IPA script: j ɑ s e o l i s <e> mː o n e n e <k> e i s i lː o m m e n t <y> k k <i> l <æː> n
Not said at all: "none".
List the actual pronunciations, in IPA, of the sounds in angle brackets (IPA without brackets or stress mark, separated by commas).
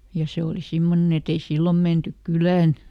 i, t, y, y, æː